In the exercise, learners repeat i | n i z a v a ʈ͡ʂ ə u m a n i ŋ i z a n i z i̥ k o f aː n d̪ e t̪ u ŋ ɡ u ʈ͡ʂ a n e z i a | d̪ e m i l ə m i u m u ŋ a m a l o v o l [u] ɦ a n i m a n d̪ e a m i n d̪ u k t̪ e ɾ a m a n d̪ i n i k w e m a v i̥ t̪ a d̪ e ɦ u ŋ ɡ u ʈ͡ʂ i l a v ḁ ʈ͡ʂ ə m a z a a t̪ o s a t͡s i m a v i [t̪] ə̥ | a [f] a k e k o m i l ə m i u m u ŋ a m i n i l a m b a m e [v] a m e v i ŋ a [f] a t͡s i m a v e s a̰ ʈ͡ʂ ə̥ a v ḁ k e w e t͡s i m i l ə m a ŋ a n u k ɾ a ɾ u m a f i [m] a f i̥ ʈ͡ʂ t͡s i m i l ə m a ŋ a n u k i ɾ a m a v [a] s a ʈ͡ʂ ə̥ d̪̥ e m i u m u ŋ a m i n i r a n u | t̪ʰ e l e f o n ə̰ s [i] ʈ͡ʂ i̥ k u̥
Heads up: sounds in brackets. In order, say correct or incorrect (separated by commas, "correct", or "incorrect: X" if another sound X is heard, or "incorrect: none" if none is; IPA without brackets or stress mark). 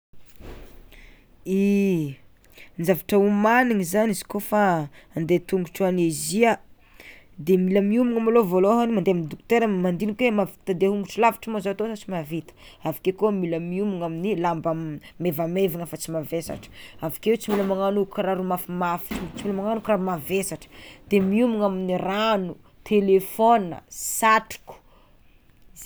incorrect: o, correct, incorrect: v, correct, correct, correct, incorrect: e, incorrect: a